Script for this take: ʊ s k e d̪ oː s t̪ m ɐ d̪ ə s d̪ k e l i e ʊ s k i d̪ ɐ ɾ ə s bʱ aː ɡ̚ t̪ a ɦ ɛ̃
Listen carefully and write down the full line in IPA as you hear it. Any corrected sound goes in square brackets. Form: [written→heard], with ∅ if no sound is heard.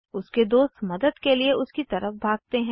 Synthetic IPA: ʊ s k e d̪ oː s t̪ m ɐ d̪ ə [s→∅] d̪ k e l i e ʊ s k i [d̪→t̪] ɐ ɾ ə [s→f] bʱ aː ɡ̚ t̪ [a→e] ɦ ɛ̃

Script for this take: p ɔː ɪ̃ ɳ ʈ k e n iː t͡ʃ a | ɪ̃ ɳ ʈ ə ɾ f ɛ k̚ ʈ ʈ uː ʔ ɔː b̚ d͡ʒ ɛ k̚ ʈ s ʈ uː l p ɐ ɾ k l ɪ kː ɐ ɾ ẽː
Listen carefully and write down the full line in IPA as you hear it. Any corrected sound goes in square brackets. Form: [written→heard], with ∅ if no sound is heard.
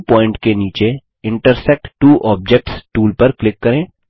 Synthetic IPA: p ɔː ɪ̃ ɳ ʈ k e n iː t͡ʃ [a→e] | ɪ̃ ɳ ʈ ə ɾ [f→s] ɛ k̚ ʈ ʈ uː ʔ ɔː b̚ d͡ʒ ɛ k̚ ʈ s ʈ uː l p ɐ ɾ k l ɪ kː ɐ ɾ ẽː

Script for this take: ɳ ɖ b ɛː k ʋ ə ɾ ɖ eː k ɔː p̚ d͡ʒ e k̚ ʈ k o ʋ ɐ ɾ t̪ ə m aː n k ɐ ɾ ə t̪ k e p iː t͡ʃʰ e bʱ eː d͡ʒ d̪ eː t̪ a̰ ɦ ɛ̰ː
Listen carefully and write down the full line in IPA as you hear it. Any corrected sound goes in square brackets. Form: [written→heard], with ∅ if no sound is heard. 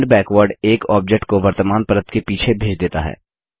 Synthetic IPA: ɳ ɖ b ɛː k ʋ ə ɾ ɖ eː k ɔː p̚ d͡ʒ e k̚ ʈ k o ʋ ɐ ɾ t̪ ə m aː n [k→p] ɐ ɾ ə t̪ k e p iː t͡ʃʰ e bʱ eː d͡ʒ d̪ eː t̪ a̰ ɦ ɛ̰ː

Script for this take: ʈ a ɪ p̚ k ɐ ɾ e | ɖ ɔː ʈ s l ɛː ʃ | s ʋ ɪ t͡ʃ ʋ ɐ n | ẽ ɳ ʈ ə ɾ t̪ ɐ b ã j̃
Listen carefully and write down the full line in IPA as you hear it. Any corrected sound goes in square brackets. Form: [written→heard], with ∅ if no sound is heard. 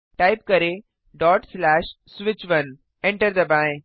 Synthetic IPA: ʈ a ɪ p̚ k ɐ ɾ e | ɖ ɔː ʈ s l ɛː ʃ | s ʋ ɪ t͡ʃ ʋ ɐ n | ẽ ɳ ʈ ə ɾ [t̪→d̪] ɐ b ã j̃

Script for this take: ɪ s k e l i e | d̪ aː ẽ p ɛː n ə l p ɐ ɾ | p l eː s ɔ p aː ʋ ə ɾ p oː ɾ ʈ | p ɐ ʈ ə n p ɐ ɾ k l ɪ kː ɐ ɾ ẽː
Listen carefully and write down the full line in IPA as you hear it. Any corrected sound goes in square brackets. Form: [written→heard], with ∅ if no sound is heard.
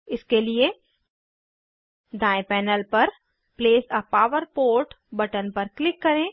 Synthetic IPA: ɪ s k e l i e | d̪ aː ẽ p ɛː n ə l p ɐ ɾ | p l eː s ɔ p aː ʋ ə ɾ p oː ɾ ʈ | [p→b] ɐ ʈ ə n p ɐ ɾ k l ɪ kː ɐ ɾ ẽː

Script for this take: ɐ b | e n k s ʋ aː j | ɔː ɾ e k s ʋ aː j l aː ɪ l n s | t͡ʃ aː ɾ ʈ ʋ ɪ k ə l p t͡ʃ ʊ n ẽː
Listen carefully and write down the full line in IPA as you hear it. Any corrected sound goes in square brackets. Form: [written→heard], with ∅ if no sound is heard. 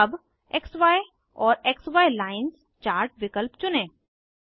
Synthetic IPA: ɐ b | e [n→∅] k s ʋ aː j | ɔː ɾ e k s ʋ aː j l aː ɪ [l→∅] n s | t͡ʃ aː ɾ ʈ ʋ ɪ k ə l p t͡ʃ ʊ n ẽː

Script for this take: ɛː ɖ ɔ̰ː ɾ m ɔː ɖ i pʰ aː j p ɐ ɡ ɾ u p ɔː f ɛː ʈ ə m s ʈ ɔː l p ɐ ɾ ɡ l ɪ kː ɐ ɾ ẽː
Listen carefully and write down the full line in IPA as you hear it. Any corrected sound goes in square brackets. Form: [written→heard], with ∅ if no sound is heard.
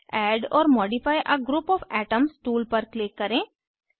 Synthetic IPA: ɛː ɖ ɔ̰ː ɾ m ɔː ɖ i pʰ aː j [p→ʔ] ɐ ɡ ɾ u p ɔː f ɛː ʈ ə m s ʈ [ɔː→uː] l p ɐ ɾ [ɡ→k] l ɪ kː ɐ ɾ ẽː

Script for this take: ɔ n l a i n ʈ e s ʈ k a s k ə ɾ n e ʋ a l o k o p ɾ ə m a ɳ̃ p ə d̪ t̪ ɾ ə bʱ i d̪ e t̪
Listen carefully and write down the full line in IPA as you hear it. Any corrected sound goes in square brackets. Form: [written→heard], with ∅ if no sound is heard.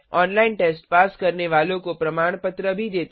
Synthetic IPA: ɔ n l a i n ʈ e s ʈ [k→p] a s k ə ɾ n e ʋ a l o k o p ɾ ə m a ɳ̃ p ə [d̪→∅] t̪ ɾ ə bʱ i d̪ e t̪

